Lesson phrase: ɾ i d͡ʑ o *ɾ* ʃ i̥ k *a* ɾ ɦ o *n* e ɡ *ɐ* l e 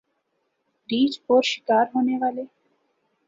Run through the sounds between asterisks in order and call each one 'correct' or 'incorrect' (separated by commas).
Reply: correct, correct, correct, incorrect